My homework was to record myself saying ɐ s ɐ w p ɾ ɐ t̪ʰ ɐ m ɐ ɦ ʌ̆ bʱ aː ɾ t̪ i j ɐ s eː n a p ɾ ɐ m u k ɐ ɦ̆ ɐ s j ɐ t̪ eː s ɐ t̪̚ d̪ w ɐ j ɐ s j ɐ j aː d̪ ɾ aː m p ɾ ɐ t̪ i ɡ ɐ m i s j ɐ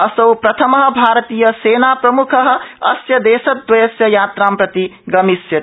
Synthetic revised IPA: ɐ s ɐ w p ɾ ɐ t̪ʰ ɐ m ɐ ɦ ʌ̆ bʱ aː ɾ t̪ i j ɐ s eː n a p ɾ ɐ m u kʰ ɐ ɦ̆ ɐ s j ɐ d̪ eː s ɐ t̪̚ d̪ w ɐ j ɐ s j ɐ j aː t̪ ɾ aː m p ɾ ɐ t̪ i ɡ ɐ m i s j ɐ